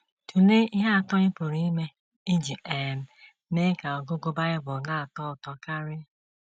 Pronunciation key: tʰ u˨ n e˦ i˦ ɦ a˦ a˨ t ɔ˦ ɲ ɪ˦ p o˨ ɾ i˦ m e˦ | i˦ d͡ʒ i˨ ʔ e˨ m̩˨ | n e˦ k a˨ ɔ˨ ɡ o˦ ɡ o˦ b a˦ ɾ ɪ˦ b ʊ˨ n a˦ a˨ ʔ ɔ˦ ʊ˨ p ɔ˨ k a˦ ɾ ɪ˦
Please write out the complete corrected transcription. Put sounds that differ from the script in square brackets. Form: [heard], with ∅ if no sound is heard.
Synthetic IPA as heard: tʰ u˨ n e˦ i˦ ɦ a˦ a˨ t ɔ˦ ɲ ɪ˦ p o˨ ɾ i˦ m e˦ | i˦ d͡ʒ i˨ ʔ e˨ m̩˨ | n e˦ k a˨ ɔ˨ ɡ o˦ ɡ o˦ b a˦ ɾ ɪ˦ b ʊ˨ n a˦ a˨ [t] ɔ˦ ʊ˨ [t] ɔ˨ k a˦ ɾ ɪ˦